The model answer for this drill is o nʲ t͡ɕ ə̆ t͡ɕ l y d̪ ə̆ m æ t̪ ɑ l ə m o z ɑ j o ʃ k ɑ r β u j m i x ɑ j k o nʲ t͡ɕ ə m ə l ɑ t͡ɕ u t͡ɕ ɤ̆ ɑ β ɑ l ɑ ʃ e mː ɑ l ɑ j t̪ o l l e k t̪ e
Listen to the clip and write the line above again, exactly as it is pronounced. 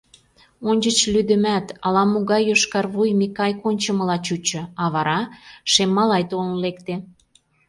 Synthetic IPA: o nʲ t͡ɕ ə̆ t͡ɕ l y d̪ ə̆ m æ t̪ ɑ l ɑ m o ɣ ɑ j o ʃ k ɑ r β u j m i k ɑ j k o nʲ t͡ɕ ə m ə l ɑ t͡ɕ u t͡ɕ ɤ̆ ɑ β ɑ ɾ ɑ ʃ e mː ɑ l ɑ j t̪ o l l e k t̪ e